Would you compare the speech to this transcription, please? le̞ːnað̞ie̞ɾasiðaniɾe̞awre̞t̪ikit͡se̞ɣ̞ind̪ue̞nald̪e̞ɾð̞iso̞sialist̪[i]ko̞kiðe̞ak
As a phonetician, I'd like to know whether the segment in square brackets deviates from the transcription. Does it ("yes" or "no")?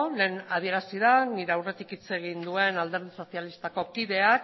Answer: yes